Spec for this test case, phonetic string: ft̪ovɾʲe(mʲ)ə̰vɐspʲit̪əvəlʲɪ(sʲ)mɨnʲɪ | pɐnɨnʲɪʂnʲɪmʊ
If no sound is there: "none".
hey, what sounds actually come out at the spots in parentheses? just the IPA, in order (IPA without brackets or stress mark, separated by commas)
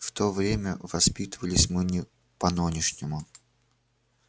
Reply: mʲ, sʲ